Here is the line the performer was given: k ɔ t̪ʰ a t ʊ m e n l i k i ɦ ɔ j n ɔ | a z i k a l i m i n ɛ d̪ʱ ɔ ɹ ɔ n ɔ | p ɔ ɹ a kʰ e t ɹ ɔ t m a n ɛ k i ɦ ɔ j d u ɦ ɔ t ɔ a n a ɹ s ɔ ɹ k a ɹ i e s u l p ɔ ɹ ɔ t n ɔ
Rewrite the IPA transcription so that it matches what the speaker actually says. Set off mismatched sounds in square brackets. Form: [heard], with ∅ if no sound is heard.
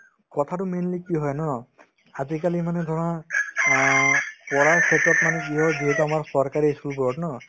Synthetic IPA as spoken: k ɔ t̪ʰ a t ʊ m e n l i k i ɦ ɔ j n ɔ | a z i k a l i m [a] n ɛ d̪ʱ ɔ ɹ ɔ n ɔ | p ɔ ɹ a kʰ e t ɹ ɔ t m a n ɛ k i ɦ ɔ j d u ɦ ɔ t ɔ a [m] a ɹ s ɔ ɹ k a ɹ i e s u l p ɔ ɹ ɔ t n ɔ